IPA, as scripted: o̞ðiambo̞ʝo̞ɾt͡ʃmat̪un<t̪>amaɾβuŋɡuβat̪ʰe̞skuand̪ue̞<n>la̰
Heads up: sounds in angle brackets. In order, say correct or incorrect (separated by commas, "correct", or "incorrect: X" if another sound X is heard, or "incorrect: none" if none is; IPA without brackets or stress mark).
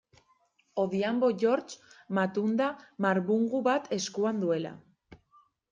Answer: incorrect: d̪, incorrect: none